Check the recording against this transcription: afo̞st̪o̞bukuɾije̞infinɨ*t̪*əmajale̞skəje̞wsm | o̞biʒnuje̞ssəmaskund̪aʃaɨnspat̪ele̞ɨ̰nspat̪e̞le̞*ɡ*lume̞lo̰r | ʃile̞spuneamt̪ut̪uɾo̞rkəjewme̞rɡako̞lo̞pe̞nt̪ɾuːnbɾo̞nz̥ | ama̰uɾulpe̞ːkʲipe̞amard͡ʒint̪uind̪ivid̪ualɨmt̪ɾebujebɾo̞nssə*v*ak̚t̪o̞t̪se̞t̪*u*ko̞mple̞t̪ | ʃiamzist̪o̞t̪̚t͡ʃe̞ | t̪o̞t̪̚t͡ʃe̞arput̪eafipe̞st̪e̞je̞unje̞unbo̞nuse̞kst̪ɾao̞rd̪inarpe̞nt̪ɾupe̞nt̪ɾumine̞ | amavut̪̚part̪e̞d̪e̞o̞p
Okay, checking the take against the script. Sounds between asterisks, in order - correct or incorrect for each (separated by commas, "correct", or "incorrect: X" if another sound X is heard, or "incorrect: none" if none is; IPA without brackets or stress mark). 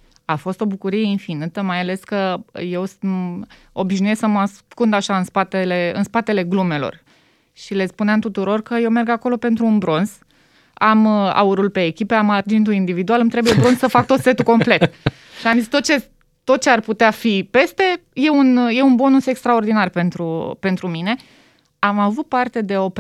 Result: correct, correct, incorrect: f, correct